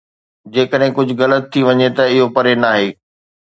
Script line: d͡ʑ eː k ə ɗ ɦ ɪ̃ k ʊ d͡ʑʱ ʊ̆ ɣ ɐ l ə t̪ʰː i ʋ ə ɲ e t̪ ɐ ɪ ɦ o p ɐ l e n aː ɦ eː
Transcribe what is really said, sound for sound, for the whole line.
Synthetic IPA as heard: d͡ʑ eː k ə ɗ ɦ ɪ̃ k ʊ d͡ʑʱ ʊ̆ ɣ ɐ l ə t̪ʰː i ʋ ɐ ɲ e t̪ ɐ ɪ ɦ o p ɐ ɾ e n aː ɦ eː